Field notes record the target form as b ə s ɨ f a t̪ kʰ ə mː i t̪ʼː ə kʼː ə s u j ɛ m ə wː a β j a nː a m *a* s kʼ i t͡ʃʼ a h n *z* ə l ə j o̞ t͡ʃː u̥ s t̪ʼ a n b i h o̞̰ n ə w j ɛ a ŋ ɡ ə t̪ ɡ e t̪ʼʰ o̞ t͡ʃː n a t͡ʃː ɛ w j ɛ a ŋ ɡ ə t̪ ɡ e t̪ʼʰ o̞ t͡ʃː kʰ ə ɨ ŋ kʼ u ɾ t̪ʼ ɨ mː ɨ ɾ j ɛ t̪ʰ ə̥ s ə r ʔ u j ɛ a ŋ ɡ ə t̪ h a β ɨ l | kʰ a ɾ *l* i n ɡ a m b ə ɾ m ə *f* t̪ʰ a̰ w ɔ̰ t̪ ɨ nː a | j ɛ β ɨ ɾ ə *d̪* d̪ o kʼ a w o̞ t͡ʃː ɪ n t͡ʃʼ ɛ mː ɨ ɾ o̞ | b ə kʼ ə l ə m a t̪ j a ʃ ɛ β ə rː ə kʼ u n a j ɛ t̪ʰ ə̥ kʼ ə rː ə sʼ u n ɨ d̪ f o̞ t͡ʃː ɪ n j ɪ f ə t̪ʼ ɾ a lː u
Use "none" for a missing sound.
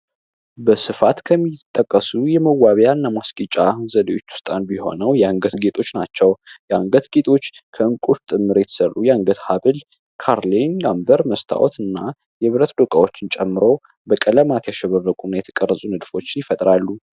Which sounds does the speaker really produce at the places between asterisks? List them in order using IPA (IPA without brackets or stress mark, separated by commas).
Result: a, z, l, s, t̪